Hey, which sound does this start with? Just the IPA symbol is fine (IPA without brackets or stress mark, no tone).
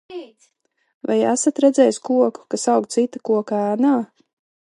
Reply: v